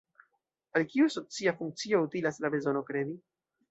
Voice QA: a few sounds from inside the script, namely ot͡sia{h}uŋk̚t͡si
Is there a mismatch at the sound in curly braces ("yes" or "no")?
yes